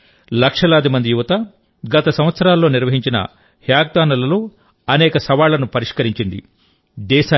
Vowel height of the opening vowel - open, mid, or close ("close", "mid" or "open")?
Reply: open